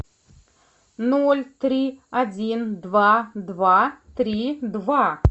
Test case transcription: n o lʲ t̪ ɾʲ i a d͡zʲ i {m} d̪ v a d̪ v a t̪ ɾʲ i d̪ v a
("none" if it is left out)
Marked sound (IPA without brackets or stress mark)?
n